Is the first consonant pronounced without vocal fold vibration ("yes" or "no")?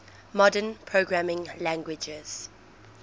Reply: no